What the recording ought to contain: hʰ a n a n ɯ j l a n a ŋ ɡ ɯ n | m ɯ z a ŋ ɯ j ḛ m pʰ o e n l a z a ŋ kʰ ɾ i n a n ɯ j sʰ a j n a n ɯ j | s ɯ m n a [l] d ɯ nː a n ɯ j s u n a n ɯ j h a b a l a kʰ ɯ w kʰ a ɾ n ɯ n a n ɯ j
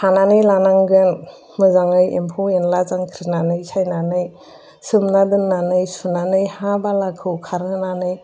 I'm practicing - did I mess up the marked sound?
yes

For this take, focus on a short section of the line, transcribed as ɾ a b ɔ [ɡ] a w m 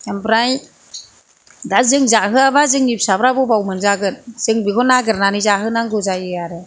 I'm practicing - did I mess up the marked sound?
yes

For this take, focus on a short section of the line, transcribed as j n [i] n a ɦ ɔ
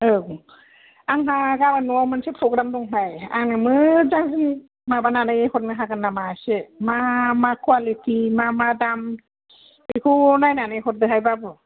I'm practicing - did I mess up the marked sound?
yes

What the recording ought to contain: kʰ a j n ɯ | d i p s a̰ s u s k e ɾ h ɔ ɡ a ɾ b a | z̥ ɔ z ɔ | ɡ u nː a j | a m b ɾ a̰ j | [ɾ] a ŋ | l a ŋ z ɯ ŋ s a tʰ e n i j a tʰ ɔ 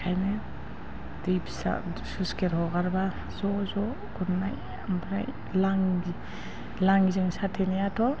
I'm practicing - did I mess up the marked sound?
yes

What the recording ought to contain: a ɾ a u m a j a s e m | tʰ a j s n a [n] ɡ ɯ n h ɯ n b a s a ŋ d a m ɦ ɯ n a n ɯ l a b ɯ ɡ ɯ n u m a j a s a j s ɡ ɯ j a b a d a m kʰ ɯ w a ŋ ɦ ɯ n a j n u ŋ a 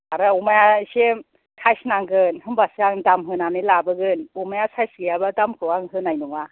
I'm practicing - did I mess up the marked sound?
yes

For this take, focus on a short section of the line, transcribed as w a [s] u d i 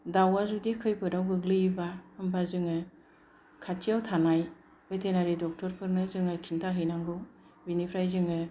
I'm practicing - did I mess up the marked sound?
yes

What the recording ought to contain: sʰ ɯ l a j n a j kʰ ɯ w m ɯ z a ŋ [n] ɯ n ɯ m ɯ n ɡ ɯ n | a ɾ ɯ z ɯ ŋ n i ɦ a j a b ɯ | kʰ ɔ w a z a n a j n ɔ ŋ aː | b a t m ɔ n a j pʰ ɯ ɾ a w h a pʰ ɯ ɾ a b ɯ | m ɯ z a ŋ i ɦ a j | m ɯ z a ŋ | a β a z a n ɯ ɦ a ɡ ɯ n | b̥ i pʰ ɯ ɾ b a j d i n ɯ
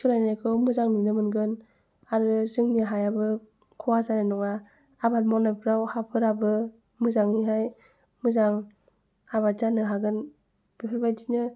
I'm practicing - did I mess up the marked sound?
no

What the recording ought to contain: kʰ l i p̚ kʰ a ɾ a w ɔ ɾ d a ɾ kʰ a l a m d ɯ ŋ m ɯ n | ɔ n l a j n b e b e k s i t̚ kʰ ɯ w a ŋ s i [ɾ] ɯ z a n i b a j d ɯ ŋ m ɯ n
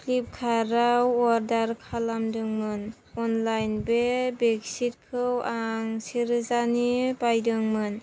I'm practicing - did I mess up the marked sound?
no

